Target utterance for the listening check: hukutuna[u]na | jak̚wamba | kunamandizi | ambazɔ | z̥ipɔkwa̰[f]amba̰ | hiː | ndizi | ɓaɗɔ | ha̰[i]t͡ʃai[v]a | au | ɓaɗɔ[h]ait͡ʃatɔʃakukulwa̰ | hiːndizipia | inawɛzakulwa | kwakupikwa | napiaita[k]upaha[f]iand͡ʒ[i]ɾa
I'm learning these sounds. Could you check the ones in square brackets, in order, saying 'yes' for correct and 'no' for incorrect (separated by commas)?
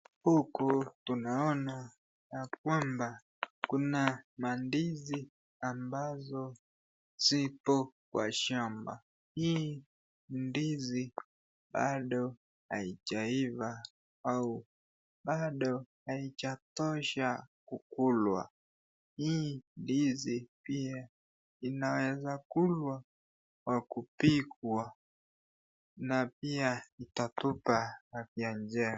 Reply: no, no, yes, yes, yes, no, yes, no